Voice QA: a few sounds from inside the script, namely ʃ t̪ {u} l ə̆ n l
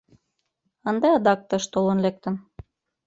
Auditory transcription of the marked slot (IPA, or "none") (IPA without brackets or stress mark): o